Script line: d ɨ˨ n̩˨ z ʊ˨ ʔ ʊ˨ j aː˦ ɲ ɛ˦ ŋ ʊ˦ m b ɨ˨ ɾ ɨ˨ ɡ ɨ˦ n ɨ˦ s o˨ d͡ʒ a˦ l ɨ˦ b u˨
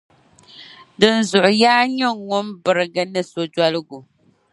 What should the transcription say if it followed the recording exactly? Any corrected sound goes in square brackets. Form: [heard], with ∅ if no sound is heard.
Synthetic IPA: d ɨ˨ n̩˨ z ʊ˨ ʔ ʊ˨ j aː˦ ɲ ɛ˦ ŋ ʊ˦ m b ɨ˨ ɾ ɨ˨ ɡ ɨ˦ n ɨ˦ s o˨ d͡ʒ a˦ l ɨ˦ [ɡ] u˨